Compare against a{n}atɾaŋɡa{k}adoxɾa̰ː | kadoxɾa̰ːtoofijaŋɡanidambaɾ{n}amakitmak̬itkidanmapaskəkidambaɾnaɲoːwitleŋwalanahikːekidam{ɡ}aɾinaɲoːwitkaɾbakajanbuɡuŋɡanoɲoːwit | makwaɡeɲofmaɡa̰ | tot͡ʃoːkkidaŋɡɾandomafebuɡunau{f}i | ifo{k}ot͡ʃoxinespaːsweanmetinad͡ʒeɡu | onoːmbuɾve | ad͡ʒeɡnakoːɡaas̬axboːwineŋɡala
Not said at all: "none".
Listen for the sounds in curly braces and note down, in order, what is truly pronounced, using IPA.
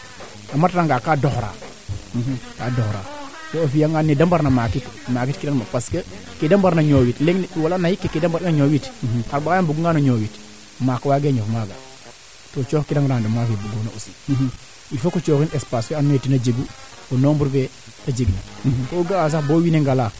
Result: m, k, n, b, s, k

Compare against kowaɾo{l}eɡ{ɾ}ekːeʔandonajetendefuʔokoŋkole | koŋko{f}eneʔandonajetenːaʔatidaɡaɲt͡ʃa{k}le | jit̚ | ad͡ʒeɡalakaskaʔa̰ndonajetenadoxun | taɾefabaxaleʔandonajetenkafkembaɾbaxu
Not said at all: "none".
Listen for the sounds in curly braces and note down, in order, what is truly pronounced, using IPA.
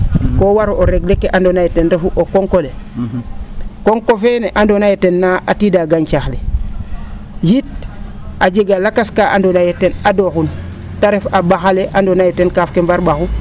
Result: ɾ, l, f, x

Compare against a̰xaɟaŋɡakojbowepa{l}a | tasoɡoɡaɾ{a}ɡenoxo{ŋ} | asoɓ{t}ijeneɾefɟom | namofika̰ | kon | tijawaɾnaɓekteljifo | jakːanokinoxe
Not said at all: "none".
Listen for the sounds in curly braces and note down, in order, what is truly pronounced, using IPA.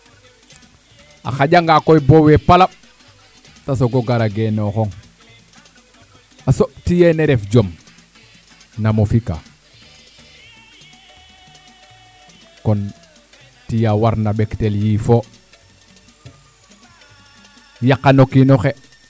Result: l, a, ŋ, t

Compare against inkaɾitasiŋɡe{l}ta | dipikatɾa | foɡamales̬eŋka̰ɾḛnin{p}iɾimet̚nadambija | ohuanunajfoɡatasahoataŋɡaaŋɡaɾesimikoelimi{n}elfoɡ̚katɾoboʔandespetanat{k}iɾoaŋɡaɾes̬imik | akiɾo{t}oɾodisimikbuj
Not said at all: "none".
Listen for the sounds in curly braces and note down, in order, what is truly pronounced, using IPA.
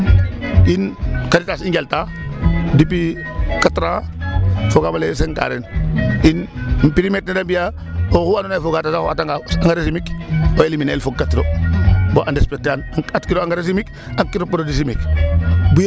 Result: l, p, n, k, p

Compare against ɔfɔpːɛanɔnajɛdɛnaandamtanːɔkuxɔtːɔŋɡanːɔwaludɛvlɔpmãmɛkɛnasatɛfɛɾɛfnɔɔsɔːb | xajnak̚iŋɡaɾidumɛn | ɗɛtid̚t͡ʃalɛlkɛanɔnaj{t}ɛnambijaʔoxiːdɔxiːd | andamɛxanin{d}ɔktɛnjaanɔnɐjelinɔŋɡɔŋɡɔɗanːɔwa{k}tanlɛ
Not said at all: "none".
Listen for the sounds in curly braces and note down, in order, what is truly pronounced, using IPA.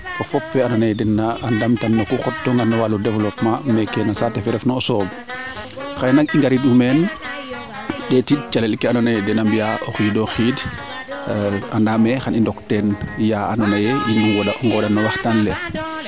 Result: d, d, x

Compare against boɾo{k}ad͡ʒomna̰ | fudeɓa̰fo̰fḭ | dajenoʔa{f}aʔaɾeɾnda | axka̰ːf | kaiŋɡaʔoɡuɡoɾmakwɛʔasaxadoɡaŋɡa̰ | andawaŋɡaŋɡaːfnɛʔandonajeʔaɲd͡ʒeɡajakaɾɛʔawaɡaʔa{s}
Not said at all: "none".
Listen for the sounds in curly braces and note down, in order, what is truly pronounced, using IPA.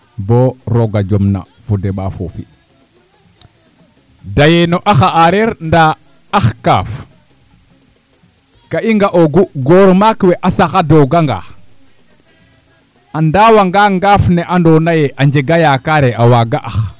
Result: ɡ, x, x

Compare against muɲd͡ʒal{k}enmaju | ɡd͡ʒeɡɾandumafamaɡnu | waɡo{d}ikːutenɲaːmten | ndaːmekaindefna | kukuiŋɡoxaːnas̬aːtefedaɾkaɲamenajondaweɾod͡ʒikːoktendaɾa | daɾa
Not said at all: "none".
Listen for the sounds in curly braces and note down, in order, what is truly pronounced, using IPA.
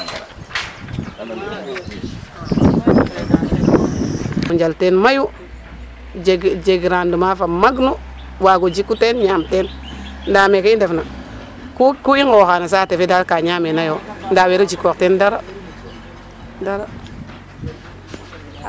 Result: t, d͡ʒ

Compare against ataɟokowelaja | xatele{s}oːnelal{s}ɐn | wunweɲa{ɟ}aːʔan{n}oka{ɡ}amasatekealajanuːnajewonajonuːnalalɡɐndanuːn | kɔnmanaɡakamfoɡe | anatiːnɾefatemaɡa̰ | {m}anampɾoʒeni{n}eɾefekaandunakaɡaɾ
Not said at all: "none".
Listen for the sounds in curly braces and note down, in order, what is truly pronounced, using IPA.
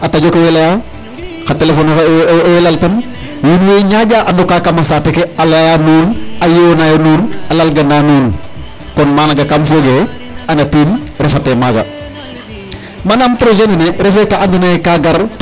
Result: f, t, ɟ, d, k, m, n

